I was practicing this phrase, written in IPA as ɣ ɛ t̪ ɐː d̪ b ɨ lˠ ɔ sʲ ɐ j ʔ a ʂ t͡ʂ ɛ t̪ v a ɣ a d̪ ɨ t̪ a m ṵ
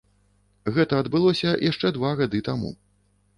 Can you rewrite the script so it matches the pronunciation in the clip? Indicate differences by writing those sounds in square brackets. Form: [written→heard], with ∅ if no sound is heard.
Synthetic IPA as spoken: ɣ ɛ t̪ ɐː d̪ b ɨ lˠ ɔ sʲ ɐ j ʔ a ʂ t͡ʂ ɛ [t̪→d̪] v a ɣ a d̪ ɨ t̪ a m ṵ